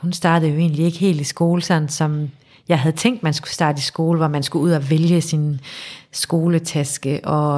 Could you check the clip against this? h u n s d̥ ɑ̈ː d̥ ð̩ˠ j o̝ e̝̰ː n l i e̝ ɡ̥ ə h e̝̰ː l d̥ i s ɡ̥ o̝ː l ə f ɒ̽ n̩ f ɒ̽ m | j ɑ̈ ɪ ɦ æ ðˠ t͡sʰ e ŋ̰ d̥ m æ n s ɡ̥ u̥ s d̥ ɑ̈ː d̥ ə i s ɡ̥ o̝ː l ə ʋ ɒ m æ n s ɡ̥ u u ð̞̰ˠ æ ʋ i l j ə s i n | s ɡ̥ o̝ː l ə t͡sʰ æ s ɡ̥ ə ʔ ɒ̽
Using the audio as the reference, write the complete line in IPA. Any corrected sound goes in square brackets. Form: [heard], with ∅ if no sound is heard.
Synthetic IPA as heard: h u n s d̥ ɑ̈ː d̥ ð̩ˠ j o̝ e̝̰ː n l i e̝ ɡ̥ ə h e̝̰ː l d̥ i s ɡ̥ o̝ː l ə [s] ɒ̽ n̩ [s] ɒ̽ m | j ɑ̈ ɪ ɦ æ ðˠ t͡sʰ e ŋ̰ d̥ m æ n s ɡ̥ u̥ s d̥ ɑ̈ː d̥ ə i s ɡ̥ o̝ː l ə ʋ ɒ m æ n s ɡ̥ u u ð̞̰ˠ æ ʋ [e] l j ə s i n | s ɡ̥ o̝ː l ə t͡sʰ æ s ɡ̥ ə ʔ ɒ̽